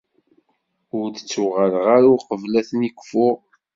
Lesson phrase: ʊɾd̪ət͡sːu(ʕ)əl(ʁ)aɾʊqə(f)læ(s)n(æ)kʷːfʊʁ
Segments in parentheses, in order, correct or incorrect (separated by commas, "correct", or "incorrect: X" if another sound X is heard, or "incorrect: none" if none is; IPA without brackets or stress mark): incorrect: ʁ, correct, incorrect: v, incorrect: θ, incorrect: i